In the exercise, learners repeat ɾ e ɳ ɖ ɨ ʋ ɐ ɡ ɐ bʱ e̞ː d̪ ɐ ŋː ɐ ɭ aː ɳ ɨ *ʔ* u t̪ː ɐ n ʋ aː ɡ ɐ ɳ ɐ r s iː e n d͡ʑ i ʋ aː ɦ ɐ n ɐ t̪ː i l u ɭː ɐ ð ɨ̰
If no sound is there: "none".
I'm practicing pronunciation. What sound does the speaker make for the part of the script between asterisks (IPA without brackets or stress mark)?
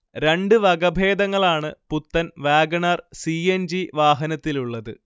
p